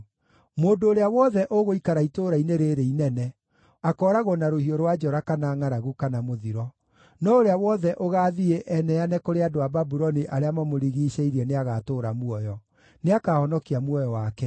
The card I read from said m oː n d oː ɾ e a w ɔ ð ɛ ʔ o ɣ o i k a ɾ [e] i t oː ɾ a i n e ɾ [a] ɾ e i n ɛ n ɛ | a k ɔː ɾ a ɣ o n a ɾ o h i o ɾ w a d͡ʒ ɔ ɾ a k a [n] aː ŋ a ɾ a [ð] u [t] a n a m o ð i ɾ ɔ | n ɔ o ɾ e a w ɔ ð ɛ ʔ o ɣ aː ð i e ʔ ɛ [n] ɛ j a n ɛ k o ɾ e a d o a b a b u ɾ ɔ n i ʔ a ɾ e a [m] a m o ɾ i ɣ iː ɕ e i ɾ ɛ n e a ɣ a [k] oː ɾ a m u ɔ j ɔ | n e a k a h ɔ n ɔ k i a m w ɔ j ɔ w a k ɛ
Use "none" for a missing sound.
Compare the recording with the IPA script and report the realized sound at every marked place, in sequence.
a, e, n, ɣ, k, n, m, t

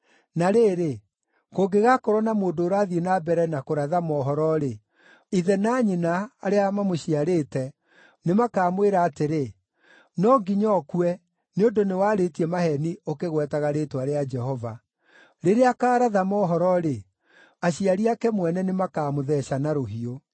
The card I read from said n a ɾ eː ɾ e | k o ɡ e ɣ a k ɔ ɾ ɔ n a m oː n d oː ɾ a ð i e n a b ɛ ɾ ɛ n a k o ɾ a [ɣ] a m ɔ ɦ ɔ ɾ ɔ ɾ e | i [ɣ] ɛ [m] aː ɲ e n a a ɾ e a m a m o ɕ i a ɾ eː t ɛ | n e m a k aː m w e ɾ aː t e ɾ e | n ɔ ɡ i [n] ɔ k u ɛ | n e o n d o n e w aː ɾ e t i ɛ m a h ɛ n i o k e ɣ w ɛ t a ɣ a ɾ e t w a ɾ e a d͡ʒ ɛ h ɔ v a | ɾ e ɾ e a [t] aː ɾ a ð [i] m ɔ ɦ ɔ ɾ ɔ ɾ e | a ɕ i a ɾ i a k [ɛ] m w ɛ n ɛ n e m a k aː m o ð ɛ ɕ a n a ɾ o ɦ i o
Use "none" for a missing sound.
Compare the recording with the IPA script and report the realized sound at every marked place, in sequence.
ð, ð, n, ɲ, k, a, ɛ

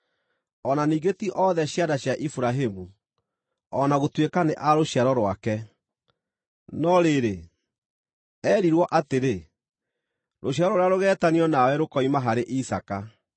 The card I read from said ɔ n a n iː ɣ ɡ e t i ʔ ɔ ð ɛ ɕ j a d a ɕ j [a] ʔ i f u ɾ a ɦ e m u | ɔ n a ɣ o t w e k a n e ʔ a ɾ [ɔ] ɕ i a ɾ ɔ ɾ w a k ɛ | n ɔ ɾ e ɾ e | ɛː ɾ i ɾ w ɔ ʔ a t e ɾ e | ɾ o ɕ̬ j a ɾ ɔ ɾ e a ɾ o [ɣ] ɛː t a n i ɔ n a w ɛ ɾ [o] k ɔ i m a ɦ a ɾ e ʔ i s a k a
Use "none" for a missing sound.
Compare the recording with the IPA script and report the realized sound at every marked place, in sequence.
a, o, ɣ, o

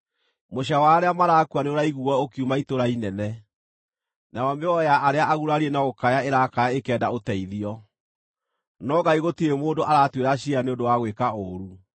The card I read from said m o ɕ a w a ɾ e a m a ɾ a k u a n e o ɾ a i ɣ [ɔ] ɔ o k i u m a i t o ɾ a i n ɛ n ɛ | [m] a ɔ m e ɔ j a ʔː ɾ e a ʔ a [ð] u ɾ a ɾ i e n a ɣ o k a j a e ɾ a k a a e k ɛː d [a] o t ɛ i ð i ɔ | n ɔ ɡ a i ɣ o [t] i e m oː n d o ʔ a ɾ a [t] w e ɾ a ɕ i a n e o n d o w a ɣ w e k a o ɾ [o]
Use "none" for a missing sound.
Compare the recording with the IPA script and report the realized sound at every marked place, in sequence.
u, n, ɣ, a, t, t, u

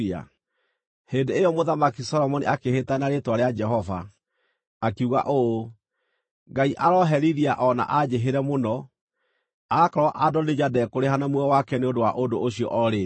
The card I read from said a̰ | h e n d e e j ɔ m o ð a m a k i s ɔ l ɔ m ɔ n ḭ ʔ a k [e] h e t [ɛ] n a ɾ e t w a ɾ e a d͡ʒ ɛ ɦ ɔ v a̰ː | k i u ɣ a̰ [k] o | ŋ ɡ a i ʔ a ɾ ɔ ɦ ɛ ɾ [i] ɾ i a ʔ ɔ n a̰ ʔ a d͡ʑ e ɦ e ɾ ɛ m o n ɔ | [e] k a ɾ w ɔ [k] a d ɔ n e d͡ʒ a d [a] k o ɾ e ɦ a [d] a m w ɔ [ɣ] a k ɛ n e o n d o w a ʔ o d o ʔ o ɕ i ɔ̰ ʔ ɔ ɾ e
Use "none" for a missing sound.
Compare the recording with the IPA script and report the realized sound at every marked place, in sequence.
e, a, ʔ, i, a, ʔ, ɛ, n, w

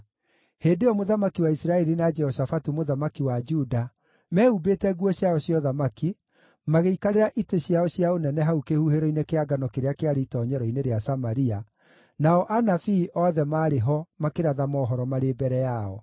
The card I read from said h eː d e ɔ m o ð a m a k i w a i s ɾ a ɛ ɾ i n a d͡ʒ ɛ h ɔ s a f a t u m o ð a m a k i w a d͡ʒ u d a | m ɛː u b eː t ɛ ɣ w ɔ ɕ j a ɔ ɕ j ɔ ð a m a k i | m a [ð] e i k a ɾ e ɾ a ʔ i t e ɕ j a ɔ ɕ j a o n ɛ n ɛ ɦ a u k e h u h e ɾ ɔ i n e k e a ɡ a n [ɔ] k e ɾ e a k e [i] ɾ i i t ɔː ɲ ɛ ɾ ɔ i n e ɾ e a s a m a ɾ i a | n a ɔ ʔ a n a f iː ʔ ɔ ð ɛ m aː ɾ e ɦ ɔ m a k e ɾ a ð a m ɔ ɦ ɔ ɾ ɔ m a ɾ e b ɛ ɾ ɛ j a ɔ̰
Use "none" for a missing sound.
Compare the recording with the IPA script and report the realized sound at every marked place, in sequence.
ɣ, ɔ, a

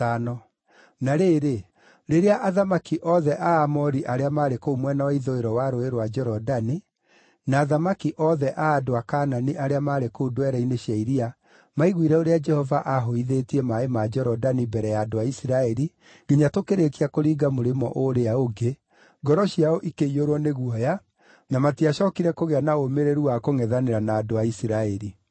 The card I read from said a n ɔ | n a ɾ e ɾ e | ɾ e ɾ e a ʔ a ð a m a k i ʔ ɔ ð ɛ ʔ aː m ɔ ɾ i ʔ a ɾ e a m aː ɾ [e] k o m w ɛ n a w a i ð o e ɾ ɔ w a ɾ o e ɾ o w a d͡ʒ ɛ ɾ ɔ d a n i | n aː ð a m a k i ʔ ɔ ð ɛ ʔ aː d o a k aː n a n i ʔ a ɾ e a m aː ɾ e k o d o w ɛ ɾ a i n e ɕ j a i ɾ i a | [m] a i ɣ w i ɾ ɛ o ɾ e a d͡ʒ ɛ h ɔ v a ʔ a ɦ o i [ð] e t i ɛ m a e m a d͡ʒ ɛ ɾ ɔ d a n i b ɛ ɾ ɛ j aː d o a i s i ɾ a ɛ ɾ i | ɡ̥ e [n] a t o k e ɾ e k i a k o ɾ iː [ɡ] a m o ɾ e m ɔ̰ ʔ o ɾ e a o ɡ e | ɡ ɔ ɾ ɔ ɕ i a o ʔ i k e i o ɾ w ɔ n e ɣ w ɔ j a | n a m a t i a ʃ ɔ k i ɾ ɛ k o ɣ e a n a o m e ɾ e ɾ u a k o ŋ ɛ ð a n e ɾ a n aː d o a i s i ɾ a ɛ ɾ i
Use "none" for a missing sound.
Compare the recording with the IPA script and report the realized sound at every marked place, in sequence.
e, m, ð, ɲ, ɡ

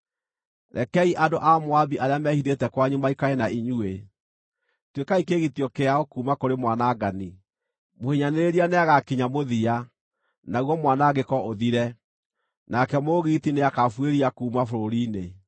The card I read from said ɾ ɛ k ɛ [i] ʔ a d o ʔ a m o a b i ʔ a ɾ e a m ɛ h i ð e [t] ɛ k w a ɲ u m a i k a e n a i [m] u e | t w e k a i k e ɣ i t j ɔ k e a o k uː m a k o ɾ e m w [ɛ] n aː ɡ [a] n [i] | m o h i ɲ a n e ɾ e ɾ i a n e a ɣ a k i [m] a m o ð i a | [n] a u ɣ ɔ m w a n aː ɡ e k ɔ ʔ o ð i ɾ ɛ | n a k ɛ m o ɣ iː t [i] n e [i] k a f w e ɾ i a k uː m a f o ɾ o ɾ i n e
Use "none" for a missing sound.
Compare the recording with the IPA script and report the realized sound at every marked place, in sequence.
i, t, ɲ, a, a, i, ɲ, n, i, a

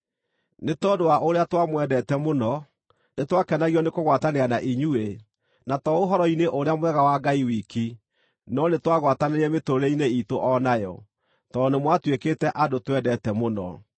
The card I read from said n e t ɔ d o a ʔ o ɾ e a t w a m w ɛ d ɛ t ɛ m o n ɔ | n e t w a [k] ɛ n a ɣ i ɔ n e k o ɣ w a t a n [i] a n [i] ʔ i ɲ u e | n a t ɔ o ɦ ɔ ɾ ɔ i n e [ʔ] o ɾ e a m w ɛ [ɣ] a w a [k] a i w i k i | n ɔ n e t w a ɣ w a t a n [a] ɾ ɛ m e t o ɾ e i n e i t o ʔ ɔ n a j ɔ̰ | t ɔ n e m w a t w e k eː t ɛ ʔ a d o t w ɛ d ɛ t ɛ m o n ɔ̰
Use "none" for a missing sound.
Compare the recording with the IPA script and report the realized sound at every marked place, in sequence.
k, e, a, ʔ, ɣ, ɡ, e

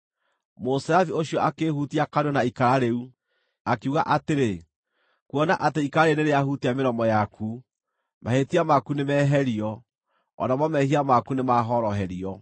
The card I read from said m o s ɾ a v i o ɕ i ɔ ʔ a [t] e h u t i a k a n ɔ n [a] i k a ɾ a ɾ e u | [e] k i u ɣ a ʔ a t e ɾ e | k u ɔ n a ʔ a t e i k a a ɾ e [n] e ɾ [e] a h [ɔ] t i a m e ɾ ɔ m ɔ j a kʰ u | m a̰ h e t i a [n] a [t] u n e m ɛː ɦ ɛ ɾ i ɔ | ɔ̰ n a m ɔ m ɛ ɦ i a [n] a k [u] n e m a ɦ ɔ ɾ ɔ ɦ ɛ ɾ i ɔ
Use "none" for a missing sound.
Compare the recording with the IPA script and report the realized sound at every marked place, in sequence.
k, a, a, n, e, u, m, k, m, u

